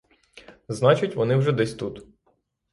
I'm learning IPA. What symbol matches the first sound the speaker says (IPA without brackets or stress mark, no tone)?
z